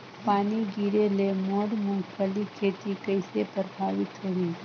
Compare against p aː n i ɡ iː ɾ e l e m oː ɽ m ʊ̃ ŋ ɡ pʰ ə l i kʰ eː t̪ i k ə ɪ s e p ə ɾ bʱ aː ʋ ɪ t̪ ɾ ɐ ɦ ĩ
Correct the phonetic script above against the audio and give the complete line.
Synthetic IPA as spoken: p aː n i ɡ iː ɾ e l e m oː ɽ m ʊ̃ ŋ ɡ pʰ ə l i kʰ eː t̪ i k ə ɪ s e p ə ɾ bʱ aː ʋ ɪ t̪ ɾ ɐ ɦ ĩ